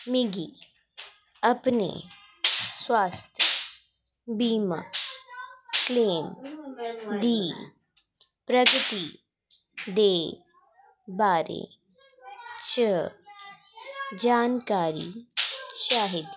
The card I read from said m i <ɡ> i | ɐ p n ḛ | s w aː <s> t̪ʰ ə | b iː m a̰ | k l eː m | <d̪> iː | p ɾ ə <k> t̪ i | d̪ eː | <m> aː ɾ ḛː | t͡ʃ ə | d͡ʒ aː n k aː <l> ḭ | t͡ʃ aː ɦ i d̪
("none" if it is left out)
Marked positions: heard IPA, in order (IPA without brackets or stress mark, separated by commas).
ɡ, s, d̪, ɡ, b, ɾ